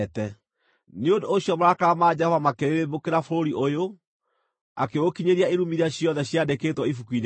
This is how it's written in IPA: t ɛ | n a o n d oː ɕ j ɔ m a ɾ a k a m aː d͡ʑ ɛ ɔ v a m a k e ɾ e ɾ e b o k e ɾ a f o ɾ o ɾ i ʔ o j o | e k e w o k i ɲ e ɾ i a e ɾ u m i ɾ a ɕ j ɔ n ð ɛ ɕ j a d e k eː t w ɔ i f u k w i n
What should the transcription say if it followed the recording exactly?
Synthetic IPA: t ɛ | n e o n d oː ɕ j ɔ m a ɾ a k a m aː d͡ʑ ɛ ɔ v a m a k e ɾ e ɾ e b o k e ɾ a f o ɾ o ɾ i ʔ o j o | a k e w o k i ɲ e ɾ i a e ɾ u m i ɾ a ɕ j ɔ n ð ɛ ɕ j a d e k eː t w ɔ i f u k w i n